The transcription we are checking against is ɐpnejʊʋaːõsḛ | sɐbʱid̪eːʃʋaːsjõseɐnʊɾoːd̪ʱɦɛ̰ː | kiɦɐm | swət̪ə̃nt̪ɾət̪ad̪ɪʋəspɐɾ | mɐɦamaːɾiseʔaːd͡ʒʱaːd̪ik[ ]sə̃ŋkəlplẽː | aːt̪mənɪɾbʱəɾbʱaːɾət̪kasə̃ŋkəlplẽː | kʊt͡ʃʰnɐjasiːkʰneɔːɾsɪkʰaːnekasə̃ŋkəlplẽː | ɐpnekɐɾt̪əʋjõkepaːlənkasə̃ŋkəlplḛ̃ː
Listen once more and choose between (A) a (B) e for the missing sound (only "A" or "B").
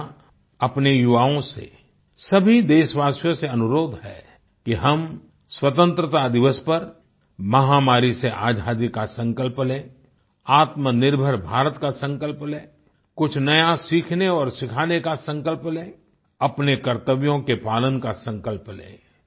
A